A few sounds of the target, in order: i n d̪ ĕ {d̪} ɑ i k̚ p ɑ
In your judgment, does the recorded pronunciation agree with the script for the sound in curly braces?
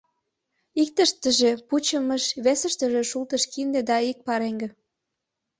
yes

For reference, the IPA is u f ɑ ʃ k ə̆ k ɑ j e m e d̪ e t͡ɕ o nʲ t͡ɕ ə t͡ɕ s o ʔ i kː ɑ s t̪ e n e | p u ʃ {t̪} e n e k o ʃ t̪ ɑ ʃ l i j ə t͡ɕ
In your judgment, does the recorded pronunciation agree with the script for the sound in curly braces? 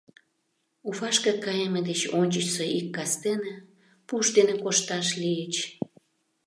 no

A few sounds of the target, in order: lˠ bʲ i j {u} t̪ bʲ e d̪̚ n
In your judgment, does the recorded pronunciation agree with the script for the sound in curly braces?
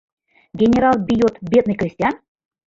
no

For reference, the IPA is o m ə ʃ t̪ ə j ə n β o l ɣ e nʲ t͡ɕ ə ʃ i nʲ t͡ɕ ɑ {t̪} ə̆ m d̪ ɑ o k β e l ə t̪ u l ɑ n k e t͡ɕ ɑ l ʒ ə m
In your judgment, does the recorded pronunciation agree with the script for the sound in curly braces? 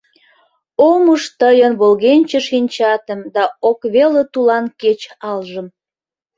yes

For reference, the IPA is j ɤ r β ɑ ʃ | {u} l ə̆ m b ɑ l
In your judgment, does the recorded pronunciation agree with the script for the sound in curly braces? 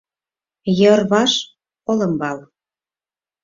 no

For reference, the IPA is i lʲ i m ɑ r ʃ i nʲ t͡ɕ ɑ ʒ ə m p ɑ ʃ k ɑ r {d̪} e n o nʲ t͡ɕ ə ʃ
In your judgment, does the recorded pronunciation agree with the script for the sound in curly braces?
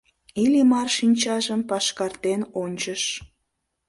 no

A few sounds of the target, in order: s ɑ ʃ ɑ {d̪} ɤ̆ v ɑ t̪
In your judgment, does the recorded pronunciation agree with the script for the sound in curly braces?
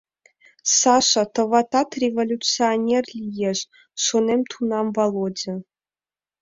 no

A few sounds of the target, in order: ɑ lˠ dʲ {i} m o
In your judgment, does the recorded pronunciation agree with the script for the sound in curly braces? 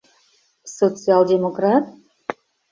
no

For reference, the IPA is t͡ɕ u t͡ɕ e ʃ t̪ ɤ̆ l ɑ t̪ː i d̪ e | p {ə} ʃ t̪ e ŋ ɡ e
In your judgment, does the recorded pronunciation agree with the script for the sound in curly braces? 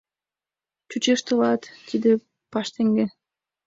no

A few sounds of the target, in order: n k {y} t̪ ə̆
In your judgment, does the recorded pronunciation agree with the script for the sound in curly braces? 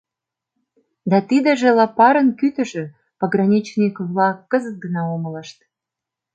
yes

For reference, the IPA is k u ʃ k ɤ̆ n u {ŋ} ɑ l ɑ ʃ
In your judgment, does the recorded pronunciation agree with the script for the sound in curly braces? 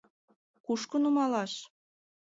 no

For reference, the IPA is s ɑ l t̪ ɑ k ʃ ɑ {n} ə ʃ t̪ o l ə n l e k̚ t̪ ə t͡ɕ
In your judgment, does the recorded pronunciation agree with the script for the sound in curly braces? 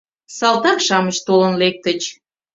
no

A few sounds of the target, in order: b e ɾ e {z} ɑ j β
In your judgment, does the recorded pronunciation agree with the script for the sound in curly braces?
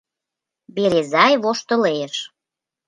yes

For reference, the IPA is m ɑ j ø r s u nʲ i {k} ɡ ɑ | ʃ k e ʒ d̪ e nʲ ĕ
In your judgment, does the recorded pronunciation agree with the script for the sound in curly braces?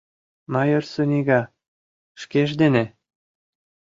no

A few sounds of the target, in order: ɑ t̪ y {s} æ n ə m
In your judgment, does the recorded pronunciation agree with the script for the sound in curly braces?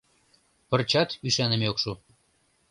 no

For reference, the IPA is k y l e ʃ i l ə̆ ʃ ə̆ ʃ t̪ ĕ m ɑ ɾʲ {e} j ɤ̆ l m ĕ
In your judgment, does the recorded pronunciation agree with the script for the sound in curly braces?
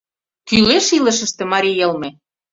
no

